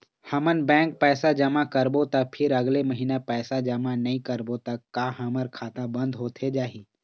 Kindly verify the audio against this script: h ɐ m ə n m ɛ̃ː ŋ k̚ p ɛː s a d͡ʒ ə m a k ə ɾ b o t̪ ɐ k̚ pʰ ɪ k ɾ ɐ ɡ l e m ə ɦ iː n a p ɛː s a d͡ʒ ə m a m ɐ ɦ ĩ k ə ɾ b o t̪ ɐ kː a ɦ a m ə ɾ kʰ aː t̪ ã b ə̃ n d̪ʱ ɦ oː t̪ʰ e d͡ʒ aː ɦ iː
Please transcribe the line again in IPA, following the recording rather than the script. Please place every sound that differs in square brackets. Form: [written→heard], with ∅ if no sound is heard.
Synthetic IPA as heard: h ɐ m ə n [m→b] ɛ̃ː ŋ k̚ p ɛː s a d͡ʒ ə m a k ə ɾ b o t̪ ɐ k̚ pʰ ɪ [k→∅] ɾ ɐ ɡ l e m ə ɦ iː n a p ɛː s a d͡ʒ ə m a [m→n] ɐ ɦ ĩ k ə ɾ b o t̪ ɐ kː a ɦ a m ə ɾ kʰ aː t̪ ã b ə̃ n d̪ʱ ɦ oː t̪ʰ e d͡ʒ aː ɦ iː